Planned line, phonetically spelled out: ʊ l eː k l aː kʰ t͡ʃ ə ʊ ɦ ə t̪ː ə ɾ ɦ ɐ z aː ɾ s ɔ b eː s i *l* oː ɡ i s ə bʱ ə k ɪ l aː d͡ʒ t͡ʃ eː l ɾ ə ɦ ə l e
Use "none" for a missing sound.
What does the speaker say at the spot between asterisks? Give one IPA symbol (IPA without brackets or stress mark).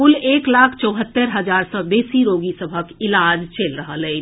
ɾ